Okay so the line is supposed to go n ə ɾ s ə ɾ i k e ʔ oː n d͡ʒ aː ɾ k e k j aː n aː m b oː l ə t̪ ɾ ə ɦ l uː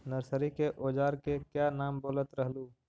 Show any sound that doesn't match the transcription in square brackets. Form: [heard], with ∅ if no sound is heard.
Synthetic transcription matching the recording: n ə ɾ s ə ɾ i k e ʔ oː [∅] d͡ʒ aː ɾ k e k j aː n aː m b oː l ə t̪ ɾ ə ɦ l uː